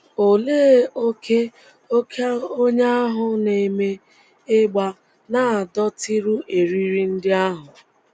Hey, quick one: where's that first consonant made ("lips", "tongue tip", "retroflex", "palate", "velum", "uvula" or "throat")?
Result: tongue tip